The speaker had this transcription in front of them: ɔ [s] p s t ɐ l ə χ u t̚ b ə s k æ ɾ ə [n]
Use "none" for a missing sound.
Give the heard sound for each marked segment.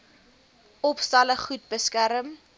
none, m

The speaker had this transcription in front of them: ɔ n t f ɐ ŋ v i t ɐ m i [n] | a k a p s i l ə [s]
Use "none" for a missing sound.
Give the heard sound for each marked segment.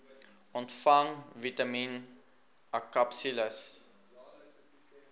n, s

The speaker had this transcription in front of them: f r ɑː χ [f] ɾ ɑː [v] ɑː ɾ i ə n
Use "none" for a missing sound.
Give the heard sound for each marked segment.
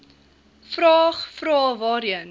f, v

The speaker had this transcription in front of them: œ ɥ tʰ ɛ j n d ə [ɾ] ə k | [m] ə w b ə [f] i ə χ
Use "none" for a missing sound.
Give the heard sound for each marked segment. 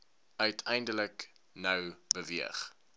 l, n, v

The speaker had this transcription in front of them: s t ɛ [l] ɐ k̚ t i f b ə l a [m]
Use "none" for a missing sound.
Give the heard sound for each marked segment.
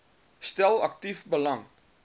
l, ŋ

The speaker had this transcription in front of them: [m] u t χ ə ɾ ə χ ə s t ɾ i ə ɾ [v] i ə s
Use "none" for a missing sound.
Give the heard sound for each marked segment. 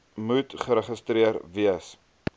m, v

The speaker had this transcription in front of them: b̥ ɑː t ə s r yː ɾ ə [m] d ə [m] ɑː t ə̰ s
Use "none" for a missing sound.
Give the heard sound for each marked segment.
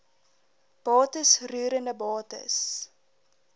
n, b

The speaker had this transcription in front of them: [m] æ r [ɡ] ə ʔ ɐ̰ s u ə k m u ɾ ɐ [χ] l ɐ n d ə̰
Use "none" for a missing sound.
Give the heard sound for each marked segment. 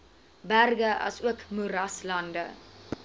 b, ɡ, s

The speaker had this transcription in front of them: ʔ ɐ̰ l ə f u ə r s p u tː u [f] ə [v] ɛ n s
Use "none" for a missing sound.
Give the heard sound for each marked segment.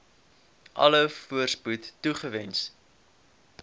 χ, v

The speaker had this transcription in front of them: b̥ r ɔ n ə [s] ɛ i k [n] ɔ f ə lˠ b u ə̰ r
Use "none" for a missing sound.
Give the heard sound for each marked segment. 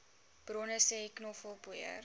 s, n

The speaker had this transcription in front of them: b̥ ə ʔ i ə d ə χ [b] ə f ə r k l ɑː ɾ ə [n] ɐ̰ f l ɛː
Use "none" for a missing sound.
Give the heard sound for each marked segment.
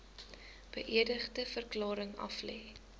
d, ŋ

